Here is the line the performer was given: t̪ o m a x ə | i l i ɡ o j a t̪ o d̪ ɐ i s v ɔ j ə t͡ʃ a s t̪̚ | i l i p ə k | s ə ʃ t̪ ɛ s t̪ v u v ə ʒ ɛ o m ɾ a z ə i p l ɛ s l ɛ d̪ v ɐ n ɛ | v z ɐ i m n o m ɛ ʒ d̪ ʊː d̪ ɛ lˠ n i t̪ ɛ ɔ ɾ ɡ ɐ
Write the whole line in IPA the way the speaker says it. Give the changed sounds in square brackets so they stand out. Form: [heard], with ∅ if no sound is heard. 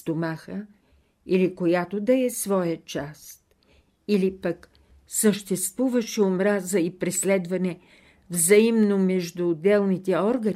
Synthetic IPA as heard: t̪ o m a x ə | i l i [k] o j a t̪ o d̪ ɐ [ɛ] s v ɔ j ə t͡ʃ a s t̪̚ | i l i p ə k | s ə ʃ t̪ ɛ s t̪ v u v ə [ʃ] ɛ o m ɾ a z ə i p [ɾ] ɛ s l ɛ d̪ v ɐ n ɛ | v z ɐ i m n o m ɛ ʒ d̪ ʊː d̪ ɛ lˠ n i t̪ ɛ ɔ ɾ ɡ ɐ